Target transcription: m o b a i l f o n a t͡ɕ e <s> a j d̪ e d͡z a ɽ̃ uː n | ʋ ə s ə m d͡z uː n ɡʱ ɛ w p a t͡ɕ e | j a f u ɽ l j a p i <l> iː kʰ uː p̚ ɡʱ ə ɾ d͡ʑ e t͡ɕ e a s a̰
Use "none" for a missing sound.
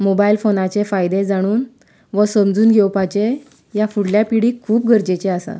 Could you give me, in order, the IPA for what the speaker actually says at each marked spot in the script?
f, ɽ

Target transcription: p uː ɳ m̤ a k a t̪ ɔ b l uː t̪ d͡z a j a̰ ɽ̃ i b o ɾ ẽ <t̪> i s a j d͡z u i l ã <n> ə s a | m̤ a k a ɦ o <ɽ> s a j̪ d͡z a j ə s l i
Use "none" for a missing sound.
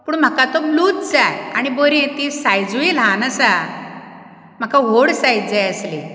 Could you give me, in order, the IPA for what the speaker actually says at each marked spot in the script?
t̪, n, ɽ

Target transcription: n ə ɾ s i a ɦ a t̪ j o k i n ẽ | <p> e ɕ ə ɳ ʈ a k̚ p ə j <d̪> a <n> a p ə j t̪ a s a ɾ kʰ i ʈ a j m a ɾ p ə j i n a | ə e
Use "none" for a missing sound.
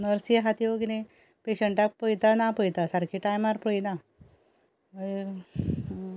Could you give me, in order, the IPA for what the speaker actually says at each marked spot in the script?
p, t̪, n

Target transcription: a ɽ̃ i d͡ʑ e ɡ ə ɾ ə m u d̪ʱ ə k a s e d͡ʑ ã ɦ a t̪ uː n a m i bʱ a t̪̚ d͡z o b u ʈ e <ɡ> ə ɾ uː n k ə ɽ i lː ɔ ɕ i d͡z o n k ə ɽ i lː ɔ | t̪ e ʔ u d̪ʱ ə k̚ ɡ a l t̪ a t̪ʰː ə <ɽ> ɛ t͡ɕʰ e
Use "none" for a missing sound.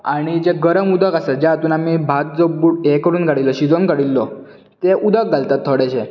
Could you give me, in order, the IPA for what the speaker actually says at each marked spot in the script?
k, ɽ

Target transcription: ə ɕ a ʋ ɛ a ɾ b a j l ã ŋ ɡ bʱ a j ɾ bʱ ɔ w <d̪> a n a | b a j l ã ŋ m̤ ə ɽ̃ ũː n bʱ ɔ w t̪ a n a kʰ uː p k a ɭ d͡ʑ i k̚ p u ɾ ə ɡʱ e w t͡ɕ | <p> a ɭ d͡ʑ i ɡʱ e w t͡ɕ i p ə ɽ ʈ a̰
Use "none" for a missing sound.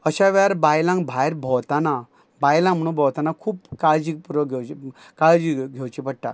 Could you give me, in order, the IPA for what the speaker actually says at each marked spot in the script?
t̪, k

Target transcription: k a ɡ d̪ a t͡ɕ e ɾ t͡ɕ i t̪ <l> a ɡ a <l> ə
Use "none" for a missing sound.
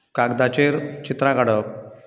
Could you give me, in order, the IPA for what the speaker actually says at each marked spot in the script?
ɾ, ɽ

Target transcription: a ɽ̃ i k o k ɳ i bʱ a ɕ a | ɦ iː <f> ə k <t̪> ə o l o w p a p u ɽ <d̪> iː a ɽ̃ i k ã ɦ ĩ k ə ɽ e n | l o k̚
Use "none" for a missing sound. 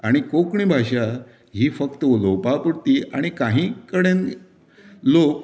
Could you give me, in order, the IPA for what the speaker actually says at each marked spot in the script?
f, t̪, t̪

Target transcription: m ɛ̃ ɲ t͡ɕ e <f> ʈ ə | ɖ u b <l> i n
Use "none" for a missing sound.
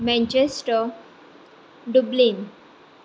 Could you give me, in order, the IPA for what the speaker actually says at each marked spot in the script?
s, l

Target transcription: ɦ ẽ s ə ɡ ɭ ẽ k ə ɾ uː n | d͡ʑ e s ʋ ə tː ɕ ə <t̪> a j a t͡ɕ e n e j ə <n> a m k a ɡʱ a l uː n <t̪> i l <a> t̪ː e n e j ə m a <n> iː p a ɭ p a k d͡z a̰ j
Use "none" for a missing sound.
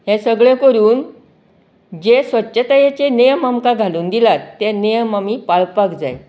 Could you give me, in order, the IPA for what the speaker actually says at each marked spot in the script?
t̪, m, d̪, a, m

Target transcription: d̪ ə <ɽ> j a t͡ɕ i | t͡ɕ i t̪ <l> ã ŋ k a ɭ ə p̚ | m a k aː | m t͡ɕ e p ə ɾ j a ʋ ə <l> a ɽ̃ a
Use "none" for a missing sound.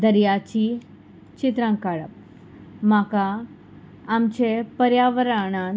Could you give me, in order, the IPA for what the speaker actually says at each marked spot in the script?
ɾ, ɾ, ɾ

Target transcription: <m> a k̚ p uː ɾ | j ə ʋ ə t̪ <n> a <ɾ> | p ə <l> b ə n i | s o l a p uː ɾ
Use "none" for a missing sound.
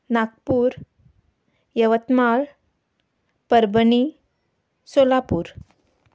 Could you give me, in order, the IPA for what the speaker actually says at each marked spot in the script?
n, m, ɭ, ɾ

